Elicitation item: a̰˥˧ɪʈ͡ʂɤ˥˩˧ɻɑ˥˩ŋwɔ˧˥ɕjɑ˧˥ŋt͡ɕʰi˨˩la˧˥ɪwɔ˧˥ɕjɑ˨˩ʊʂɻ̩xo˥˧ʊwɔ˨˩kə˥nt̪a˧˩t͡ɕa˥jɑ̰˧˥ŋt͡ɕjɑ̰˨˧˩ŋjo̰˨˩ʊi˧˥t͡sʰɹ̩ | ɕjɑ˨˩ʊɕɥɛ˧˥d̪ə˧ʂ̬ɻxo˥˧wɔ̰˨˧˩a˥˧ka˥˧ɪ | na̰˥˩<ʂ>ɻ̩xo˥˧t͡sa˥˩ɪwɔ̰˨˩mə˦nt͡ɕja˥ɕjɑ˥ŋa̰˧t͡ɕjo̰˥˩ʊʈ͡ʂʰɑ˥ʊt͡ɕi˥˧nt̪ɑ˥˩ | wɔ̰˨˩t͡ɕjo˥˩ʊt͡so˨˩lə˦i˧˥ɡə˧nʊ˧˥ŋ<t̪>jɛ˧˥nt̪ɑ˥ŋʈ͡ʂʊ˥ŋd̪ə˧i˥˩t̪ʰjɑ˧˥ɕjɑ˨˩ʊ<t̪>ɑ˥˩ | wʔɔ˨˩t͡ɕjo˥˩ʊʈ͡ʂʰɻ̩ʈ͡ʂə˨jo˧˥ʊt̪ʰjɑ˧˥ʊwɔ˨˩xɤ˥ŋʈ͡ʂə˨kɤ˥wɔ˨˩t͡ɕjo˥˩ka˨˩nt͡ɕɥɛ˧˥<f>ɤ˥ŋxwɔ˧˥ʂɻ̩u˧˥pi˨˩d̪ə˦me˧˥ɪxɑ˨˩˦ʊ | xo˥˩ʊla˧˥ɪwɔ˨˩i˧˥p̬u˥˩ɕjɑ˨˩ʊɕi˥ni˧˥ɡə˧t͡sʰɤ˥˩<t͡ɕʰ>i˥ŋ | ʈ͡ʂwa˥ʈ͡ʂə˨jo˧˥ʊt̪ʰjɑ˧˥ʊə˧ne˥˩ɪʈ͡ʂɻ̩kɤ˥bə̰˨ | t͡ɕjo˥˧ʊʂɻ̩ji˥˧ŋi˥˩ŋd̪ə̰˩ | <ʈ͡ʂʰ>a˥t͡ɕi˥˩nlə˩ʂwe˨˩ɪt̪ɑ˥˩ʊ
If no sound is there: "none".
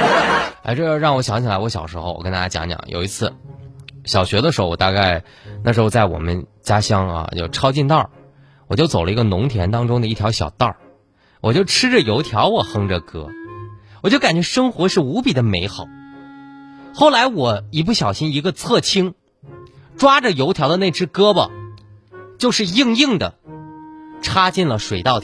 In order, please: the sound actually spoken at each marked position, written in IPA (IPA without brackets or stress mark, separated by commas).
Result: ʂ, t̪ʰ, t̪, ʂ, t͡ɕʰ, ʈ͡ʂʰ